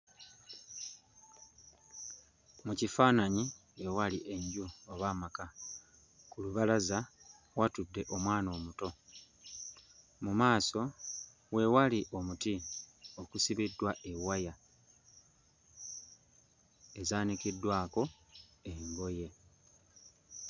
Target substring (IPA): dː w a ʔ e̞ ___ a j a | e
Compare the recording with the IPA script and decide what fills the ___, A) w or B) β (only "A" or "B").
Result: A